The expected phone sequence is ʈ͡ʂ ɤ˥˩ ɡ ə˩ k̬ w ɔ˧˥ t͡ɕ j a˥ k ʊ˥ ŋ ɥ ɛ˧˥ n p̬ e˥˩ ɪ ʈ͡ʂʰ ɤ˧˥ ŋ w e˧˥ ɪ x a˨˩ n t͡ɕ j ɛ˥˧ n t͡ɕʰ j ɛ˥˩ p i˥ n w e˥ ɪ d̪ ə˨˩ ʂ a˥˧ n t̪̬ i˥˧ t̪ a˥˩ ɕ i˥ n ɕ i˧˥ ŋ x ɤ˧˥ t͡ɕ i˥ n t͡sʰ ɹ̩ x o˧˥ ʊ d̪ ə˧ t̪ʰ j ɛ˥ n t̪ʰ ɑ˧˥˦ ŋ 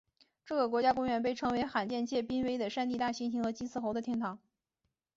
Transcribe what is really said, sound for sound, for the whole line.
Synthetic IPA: ʈ͡ʂ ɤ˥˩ ɡ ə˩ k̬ w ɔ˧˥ t͡ɕ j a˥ k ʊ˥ ŋ ɥ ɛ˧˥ n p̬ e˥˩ ɪ ʈ͡ʂʰ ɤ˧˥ ŋ w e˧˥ ɪ x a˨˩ n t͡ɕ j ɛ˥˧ n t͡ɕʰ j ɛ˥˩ p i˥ n w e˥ ɪ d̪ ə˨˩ ʂ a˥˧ n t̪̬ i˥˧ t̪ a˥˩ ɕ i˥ n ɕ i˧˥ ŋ x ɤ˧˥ t͡ɕ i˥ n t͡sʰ ɹ̩ x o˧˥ ʊ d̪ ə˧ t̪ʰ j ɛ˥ n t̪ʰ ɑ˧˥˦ ŋ